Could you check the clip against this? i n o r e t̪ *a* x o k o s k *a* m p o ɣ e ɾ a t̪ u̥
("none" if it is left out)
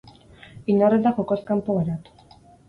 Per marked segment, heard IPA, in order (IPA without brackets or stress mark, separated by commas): a, a